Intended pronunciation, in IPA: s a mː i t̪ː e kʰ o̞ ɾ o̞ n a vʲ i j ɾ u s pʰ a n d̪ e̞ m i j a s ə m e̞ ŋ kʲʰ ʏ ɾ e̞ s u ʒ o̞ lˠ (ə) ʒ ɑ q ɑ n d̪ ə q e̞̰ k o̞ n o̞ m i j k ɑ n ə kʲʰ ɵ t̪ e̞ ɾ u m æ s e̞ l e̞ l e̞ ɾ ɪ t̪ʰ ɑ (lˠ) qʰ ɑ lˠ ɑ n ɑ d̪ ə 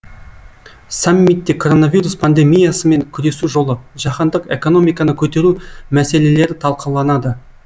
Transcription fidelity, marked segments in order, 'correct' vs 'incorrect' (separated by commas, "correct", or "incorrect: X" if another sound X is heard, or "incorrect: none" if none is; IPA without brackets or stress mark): correct, correct